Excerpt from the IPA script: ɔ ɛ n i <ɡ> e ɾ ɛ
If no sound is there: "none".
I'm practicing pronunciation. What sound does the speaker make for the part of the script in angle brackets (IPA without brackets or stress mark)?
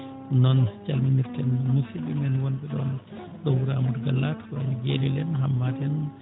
ɡ